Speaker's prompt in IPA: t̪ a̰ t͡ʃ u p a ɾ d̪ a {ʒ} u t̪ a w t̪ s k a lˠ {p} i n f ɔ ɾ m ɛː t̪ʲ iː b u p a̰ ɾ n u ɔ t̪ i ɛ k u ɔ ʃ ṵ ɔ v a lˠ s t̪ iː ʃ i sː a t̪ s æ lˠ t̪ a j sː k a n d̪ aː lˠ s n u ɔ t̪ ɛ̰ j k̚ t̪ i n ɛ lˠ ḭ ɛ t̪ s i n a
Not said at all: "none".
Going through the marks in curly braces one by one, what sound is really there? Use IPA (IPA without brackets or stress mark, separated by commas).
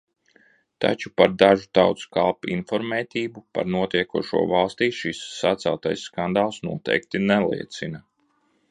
ʒ, p